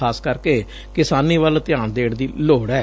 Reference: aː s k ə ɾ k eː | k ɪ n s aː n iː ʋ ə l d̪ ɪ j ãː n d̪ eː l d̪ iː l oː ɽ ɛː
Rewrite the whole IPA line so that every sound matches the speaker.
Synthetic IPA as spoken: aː s k ə ɾ k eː | k ɪ s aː n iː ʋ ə l t̪ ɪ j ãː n d̪ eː ɽ d̪ iː l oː ɽ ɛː

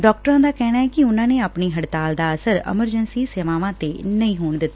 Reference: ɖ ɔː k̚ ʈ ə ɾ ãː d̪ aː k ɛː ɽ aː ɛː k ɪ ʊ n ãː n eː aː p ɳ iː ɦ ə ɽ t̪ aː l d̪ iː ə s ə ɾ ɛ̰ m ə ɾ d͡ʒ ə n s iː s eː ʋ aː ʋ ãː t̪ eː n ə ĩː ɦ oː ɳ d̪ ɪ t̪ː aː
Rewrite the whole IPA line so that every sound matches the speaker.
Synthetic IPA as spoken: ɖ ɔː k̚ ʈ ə ɾ ãː d̪ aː k ɛː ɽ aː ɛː k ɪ ʊ n ãː n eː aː p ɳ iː ɦ ə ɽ t̪ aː l d̪ aː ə s ə ɾ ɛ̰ m ə ɾ d͡ʒ ə n s iː s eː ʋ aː ʋ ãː t̪ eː n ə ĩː ɦ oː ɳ d̪ ɪ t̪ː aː

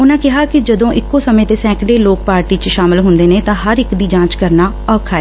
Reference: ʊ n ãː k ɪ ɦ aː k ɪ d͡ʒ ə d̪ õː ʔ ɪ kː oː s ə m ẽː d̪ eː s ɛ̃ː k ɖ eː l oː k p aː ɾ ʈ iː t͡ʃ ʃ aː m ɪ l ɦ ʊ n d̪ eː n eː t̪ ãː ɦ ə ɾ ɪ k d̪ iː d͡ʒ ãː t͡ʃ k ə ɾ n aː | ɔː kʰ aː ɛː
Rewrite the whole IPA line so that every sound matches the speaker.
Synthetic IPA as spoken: ʊ n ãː k ɪ ɦ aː k ɪ d͡ʒ ə d̪ õː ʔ ɪ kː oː s ə m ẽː t̪ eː s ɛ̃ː k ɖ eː l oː k p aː ɾ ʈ iː t͡ʃ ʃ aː m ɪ l ɦ ʊ n d̪ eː n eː t̪ ãː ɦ ə ɾ ɪ k d̪ iː d͡ʒ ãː t͡ʃ k ə ɾ n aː | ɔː kʰ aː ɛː

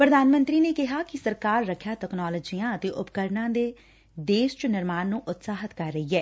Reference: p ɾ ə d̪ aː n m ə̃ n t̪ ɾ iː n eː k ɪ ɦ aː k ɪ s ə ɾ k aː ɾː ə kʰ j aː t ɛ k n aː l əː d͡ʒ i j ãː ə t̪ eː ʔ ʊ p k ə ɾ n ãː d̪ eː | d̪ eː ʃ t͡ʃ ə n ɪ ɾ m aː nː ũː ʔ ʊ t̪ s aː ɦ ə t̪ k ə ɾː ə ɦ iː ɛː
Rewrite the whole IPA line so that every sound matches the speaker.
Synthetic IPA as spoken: p ɾ ə d̪ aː n m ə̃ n t̪ ɾ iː n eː k ɪ ɦ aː k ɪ s ə ɾ k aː ɾː ə kʰ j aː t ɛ k n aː l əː d͡ʒ i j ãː ə t̪ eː ʔ ʊ p k ə ɾ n ãː d̪ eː | d̪ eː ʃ t͡ʃ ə n ɪ ɾ m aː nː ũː ʔ ʊ t̪ s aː ɦ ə t̪ k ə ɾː ə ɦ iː ɛː

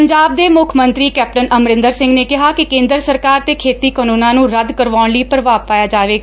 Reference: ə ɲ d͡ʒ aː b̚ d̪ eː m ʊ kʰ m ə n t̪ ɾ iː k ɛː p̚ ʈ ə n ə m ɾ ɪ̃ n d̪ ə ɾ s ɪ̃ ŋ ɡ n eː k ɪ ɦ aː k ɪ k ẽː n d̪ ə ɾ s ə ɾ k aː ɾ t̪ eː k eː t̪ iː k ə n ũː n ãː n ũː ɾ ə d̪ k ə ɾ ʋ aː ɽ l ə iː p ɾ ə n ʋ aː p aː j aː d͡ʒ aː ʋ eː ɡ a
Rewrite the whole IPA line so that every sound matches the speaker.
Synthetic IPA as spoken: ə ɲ d͡ʒ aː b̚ d̪ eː m ʊ kʰ m ə n t̪ ɾ iː k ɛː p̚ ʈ ə n ə m ɾ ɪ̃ n d̪ ə ɾ s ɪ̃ ŋ ɡ n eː k ɪ ɦ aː k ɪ k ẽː n d̪ ə ɾ s ə ɾ k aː ɾ t̪ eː kʰ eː t̪ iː k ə n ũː n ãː n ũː ɾ ə d̪ k ə ɾ ʋ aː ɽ l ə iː p ɾ ə ʋ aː p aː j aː d͡ʒ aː ʋ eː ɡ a

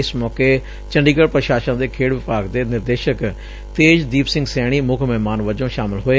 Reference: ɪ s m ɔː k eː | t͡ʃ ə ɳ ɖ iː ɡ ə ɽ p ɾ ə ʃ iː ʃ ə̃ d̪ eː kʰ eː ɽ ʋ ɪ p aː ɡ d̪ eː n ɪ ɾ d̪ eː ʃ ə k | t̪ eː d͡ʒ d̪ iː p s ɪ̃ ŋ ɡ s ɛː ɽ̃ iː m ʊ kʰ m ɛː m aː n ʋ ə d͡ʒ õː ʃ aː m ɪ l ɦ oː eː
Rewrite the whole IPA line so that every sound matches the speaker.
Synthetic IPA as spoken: ɪ s m ɔː k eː | t͡ʃ ə ɳ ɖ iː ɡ ə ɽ p ɾ ə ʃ aː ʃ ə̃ d̪ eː kʰ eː ɽ ʋ ɪ p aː ɡ d̪ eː n ɪ ɾ d̪ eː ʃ ə k | t̪ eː d͡ʒ d̪ iː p s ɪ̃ ŋ ɡ s ɛː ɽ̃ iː m ʊ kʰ m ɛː m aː n ʋ ə d͡ʒ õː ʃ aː m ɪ l ɦ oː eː

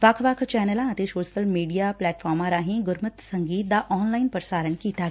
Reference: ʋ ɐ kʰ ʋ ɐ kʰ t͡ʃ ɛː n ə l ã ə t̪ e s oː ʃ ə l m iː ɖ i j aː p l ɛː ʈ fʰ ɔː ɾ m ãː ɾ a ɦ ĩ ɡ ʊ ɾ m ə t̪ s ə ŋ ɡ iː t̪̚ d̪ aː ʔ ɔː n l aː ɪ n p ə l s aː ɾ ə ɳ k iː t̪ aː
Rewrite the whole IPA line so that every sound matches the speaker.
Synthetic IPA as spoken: ʋ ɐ kʰ ʋ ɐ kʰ t͡ʃ ɛː n ə l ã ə t̪ e s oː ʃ ə l m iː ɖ i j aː p l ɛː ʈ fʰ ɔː ɾ m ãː ɾ a ɦ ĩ ɡ ʊ ɾ m ə t̪ s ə ŋ ɡ iː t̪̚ d̪ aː ʔ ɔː n l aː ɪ n p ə ɾ s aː ɾ ə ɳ k iː t̪ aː

